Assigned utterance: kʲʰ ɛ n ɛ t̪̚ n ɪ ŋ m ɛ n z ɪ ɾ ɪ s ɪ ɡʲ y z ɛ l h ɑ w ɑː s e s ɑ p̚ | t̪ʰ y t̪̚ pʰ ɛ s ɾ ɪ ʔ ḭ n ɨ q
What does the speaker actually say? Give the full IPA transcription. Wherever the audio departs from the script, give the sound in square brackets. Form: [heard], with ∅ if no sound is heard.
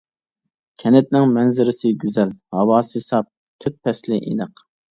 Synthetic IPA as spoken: kʲʰ ɛ n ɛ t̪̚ n ɪ ŋ m ɛ n z ɪ ɾ ɪ s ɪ ɡʲ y z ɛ l h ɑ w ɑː s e s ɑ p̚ | t̪ʰ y t̪̚ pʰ ɛ s [l] ɪ ʔ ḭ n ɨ q